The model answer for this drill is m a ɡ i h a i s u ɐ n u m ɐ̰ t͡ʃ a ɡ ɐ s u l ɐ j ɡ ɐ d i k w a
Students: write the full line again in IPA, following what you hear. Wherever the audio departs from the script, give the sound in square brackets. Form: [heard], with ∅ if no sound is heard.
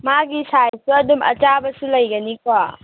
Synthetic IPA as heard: m a ɡ i [s] a [j] s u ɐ [d] u m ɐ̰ t͡ʃ a [b] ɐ s u l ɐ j ɡ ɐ [n] i k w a